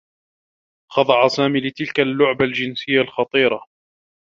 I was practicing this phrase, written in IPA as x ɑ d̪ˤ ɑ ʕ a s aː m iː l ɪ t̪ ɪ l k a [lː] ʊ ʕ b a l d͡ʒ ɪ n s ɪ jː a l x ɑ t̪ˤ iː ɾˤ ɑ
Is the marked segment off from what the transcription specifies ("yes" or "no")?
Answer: no